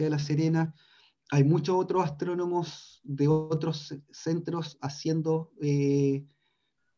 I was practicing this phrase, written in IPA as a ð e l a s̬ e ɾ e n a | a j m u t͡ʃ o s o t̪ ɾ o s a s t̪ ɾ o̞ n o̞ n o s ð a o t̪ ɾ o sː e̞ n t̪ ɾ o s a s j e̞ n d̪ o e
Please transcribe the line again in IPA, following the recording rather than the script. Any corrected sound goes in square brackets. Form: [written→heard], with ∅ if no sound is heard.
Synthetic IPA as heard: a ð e l a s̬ e ɾ e n a | a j m u t͡ʃ o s o t̪ ɾ o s a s t̪ ɾ o̞ n o̞ [n→m] o s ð [a→e] o t̪ ɾ o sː e̞ n t̪ ɾ o s a s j e̞ n d̪ o e